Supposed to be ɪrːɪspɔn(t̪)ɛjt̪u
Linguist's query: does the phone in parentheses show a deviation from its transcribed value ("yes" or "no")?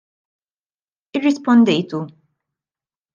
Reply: yes